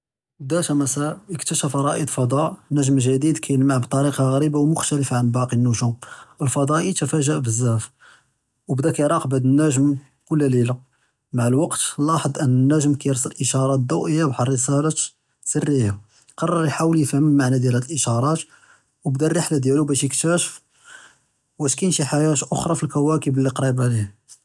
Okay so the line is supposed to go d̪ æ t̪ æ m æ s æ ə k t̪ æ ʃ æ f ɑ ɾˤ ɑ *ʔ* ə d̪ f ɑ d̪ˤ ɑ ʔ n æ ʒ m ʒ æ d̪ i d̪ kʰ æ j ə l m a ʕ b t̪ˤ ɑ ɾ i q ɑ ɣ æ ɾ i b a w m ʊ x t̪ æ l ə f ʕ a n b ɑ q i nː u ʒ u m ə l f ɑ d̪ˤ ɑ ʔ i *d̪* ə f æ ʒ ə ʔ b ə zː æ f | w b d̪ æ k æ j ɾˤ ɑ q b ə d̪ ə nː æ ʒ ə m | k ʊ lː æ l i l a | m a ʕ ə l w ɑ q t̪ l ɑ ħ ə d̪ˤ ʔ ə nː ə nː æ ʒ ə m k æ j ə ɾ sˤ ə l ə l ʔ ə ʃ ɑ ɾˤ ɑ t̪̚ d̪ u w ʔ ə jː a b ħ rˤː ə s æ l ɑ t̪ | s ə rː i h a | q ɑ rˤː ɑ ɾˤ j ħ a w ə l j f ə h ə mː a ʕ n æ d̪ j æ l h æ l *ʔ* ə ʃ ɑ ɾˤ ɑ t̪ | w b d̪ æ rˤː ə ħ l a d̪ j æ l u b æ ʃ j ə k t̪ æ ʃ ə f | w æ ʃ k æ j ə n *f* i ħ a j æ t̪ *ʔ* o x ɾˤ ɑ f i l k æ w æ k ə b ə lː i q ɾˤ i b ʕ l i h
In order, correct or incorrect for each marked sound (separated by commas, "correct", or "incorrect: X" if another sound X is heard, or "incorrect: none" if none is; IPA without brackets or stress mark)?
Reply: correct, incorrect: t̪, correct, incorrect: ʃ, correct